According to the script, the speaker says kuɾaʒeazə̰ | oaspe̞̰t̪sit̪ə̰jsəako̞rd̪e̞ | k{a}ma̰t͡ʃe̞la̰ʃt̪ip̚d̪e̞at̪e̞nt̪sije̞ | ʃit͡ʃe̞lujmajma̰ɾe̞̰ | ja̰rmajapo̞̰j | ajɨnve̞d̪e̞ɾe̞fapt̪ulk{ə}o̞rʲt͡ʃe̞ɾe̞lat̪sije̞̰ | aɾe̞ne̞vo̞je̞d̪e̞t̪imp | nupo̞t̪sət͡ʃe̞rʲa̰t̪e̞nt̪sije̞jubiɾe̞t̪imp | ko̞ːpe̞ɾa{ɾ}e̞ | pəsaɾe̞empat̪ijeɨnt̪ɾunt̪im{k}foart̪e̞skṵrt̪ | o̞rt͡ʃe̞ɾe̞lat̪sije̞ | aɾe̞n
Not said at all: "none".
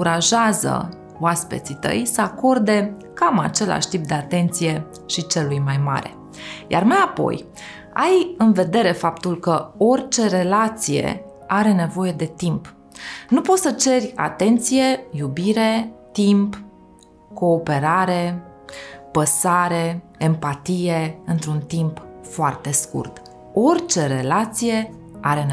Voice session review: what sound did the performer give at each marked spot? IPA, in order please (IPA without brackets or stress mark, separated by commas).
a, ə, ɾ, p